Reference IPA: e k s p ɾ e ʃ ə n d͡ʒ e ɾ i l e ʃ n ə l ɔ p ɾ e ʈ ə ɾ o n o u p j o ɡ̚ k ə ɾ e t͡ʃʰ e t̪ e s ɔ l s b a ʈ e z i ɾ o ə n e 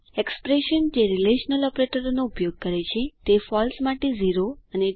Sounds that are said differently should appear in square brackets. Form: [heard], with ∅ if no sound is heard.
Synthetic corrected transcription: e k s p ɾ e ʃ ə n d͡ʒ e ɾ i l e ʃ n ə l ɔ p ɾ e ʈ ə ɾ o n o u p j o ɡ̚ k ə ɾ e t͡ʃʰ e t̪ e [f] ɔ l s [m] a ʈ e z i ɾ o ə n e